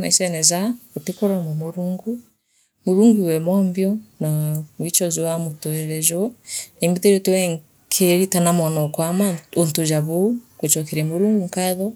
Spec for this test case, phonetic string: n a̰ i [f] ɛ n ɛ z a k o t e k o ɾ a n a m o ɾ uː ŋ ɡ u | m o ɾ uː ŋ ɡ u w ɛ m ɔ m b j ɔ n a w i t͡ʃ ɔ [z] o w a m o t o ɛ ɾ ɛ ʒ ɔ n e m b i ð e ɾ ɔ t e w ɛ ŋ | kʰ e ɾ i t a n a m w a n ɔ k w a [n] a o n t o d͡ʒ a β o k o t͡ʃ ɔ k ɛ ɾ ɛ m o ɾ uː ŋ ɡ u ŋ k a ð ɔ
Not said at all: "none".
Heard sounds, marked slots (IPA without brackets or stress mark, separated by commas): s, z, m